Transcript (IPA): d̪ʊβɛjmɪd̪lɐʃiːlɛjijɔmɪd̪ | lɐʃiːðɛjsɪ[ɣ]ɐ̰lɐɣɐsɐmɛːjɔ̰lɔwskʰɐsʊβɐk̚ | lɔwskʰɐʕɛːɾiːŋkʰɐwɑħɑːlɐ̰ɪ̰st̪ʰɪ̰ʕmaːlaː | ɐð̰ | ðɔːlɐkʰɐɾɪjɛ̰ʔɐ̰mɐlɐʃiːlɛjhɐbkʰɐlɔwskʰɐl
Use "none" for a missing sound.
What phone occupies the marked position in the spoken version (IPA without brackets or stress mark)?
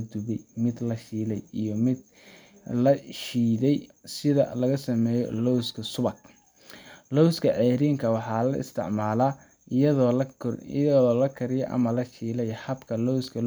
ð